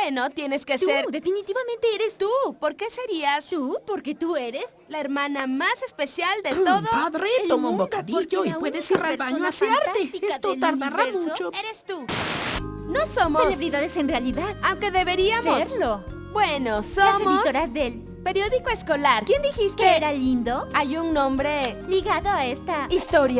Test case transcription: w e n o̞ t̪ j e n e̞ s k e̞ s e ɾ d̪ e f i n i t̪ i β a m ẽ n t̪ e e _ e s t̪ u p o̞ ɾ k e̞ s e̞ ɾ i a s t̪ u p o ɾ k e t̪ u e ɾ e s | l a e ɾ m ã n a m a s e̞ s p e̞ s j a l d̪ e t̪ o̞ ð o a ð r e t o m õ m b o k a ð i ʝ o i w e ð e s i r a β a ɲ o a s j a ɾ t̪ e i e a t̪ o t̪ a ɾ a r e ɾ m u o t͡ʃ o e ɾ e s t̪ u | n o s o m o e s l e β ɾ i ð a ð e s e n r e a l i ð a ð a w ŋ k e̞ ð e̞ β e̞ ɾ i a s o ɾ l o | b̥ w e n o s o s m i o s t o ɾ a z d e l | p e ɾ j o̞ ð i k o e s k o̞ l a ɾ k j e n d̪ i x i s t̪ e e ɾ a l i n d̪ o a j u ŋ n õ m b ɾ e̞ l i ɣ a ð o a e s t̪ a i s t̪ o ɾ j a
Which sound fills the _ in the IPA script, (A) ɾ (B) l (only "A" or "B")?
A